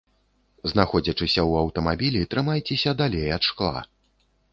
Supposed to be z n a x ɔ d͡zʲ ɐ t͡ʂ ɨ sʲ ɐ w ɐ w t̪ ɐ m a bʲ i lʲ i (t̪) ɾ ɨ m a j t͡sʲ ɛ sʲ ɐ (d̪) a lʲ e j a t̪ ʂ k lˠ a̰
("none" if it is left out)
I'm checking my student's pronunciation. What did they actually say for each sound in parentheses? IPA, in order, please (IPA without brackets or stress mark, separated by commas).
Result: t̪, d̪